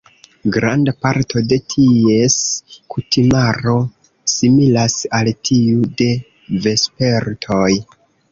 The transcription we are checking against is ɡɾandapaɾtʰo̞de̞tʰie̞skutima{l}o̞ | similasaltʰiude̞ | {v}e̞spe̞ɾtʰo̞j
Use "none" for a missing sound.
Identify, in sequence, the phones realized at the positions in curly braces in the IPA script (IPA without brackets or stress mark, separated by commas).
ɾ, v